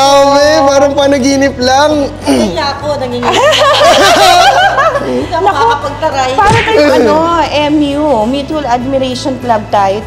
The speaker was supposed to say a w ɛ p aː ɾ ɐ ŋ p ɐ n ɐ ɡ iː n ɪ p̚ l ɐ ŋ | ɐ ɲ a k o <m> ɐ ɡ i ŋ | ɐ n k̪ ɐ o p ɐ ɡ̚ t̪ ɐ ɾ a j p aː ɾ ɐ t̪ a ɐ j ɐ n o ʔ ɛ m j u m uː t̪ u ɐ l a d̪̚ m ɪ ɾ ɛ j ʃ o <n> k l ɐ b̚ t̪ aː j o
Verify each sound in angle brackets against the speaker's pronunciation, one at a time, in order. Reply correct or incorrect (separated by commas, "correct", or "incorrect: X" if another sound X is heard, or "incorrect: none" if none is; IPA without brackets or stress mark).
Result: incorrect: n, correct